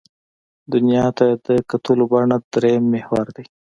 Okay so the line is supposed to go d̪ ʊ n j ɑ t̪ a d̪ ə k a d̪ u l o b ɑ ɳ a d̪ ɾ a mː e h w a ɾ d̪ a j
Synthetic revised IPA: d̪ ʊ n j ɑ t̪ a d̪ ə k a t̪ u l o b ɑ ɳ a d̪ ɾ e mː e h w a ɾ d̪ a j